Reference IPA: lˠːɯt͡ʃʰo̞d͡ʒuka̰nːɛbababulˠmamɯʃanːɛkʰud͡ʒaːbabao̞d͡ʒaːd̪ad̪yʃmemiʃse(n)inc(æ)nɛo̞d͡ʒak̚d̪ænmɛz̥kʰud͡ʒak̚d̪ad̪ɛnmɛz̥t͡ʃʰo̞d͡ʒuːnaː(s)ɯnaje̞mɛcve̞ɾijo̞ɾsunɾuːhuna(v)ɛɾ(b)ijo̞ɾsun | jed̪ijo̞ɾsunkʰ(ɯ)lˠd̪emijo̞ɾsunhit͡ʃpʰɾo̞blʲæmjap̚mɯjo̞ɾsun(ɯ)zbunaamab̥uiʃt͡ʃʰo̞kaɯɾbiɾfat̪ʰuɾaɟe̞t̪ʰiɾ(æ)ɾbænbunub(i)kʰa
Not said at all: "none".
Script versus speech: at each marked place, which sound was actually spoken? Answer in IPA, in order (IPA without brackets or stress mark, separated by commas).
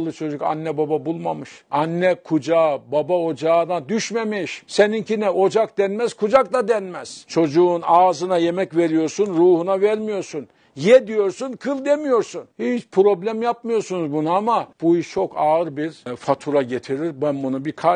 n, i, z, v, m, ɯ, u, i, i